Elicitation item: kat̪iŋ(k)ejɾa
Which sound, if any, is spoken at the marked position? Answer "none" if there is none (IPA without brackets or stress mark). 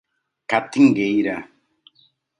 ɡ